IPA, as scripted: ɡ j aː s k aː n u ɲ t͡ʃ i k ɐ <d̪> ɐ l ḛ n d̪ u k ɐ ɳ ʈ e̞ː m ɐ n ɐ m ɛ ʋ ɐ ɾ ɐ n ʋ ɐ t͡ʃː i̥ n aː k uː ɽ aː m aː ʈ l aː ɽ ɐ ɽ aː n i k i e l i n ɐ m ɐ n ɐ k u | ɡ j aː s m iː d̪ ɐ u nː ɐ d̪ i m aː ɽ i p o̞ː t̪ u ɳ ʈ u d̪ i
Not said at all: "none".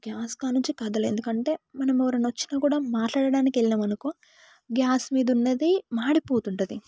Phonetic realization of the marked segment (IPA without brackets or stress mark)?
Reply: d̪